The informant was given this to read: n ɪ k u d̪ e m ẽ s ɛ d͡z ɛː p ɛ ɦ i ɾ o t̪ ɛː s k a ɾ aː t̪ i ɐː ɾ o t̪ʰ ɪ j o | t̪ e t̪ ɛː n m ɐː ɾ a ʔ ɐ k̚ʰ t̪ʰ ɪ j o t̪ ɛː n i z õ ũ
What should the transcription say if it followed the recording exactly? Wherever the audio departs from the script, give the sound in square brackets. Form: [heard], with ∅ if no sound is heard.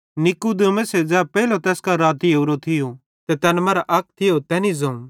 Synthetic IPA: n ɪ k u d̪ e m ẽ s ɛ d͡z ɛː p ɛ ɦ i [l] o t̪ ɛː s k a ɾ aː t̪ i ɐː ɾ o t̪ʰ ɪ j o | t̪ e t̪ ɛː n m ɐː ɾ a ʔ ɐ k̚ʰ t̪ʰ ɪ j o t̪ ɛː n i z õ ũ